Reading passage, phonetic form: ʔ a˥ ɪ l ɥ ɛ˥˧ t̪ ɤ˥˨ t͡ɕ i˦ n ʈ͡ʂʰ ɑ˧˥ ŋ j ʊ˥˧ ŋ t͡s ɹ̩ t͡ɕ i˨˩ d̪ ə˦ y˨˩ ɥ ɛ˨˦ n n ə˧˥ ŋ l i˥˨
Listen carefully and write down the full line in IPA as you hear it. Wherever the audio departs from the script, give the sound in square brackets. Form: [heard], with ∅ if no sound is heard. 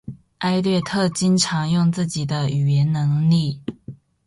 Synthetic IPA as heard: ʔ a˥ ɪ l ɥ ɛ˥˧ [t̪ʰ] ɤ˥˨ t͡ɕ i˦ n ʈ͡ʂʰ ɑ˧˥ ŋ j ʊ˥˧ ŋ t͡s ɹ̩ t͡ɕ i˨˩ d̪ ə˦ y˨˩ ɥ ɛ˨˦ n n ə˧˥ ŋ l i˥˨